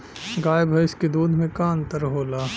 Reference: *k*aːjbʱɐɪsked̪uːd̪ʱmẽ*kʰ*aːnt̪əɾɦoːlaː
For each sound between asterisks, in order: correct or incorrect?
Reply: incorrect: ɡ, incorrect: k

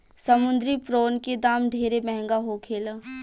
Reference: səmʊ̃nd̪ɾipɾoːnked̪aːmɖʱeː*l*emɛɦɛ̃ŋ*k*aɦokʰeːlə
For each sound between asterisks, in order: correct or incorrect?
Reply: incorrect: ɾ, incorrect: ɡ

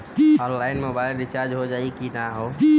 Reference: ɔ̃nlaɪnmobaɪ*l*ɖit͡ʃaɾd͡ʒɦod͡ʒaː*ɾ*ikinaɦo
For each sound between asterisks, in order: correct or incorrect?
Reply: correct, incorrect: none

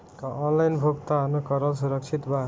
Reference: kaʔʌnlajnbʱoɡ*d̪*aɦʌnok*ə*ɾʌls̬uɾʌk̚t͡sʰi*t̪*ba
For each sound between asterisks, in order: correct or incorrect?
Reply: incorrect: t̪, incorrect: ʌ, correct

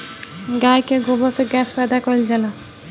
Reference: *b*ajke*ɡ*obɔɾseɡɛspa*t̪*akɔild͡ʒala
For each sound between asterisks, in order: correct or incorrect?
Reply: incorrect: ɡ, correct, incorrect: d̪

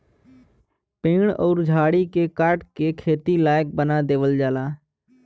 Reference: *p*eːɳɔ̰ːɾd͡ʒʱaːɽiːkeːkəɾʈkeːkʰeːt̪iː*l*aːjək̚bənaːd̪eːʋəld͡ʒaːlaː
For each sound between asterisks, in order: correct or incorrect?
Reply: correct, correct

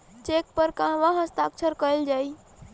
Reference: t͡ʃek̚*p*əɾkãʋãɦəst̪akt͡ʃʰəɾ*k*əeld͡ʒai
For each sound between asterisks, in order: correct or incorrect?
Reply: correct, correct

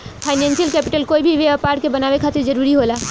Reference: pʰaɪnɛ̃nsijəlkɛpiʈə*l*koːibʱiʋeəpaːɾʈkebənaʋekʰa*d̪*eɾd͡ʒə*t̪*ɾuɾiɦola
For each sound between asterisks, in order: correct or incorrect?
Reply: correct, incorrect: t̪, incorrect: none

